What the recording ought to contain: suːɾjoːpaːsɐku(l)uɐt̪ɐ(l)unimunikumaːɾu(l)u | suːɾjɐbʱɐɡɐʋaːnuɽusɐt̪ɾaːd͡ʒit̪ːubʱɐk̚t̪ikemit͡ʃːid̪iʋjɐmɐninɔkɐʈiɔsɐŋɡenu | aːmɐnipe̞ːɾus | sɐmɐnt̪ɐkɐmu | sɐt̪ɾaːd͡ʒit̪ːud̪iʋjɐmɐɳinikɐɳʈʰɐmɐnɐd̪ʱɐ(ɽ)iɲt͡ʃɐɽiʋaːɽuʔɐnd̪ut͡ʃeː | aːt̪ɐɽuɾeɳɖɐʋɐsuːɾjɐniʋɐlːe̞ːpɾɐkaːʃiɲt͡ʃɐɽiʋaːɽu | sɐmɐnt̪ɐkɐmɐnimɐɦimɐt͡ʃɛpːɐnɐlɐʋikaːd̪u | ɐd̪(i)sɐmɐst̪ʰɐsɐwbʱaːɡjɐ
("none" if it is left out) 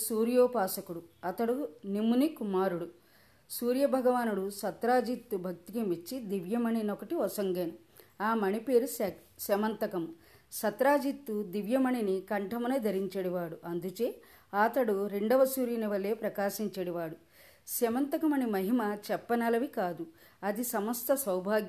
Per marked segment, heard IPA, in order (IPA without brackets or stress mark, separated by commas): ɽ, ɽ, ɽ, ɾ, i